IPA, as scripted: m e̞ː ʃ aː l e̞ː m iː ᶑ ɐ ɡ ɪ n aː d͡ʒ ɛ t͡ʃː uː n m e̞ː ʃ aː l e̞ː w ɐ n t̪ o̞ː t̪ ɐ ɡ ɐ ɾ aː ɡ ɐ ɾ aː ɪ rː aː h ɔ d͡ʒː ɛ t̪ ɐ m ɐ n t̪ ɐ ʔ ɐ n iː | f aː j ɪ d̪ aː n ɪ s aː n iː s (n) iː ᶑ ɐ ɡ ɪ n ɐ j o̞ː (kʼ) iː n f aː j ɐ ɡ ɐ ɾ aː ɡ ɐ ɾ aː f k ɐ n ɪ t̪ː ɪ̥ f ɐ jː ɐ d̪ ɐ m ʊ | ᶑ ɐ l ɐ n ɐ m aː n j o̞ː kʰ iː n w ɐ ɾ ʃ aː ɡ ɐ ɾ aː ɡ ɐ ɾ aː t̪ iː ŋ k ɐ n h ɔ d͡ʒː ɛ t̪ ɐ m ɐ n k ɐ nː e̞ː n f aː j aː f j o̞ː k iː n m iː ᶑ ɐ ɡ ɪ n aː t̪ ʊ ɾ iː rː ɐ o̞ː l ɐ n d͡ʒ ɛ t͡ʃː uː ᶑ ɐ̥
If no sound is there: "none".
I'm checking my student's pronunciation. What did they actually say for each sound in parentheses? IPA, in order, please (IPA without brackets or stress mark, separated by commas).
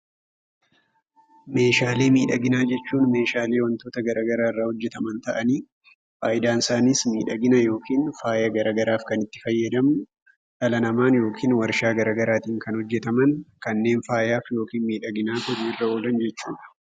m, k